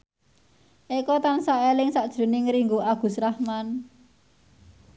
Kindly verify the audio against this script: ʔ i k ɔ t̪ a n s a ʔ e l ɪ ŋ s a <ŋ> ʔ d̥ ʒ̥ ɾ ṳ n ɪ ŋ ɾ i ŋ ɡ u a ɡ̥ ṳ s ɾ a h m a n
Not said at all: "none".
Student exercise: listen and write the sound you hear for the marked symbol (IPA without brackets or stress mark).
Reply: none